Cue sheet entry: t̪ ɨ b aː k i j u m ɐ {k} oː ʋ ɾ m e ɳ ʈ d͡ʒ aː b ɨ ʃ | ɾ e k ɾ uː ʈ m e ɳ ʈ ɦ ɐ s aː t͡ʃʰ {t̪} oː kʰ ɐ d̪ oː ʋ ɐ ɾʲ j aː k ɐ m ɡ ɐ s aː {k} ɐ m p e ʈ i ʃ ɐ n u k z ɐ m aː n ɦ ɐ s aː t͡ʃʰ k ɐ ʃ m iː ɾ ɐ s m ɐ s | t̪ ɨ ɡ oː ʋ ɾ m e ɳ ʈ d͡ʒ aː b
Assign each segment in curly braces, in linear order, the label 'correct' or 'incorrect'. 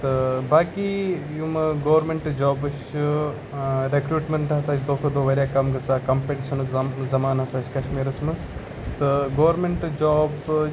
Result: incorrect: ɡ, incorrect: d̪, correct

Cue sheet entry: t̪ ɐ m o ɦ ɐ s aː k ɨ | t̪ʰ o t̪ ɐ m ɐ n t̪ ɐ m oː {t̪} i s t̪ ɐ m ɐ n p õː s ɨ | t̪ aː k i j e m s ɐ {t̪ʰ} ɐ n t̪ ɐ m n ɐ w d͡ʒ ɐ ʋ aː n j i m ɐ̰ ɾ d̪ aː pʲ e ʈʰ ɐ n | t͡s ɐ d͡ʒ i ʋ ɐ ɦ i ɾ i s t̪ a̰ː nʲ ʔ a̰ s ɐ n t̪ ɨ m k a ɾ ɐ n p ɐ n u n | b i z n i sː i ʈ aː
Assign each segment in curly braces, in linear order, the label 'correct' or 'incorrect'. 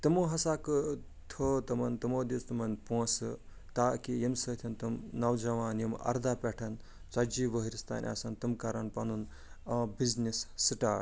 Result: incorrect: d̪, correct

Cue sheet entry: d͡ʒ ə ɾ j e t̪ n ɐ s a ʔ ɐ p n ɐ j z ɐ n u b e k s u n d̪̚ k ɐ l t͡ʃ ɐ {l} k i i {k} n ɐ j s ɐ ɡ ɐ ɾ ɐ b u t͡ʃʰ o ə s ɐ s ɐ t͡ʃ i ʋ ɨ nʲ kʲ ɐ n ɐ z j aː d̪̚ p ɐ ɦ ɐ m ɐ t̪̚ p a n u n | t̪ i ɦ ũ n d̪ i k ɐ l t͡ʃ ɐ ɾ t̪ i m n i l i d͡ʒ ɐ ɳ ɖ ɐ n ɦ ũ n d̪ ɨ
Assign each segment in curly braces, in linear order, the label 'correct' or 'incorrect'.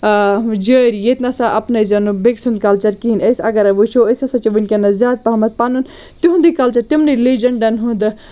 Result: incorrect: ɾ, incorrect: none

